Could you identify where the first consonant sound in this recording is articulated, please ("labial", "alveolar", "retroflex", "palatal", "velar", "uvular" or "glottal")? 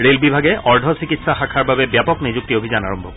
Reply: alveolar